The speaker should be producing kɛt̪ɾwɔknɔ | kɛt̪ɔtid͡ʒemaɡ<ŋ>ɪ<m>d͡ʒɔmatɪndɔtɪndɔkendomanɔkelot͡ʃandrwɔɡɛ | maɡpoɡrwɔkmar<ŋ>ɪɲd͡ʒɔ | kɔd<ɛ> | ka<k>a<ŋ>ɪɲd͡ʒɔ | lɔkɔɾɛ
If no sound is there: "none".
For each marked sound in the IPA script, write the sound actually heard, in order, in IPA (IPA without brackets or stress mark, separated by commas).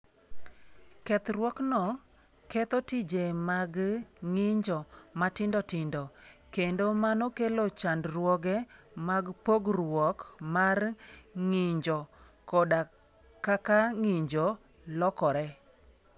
ŋ, ɲ, ŋ, a, k, ŋ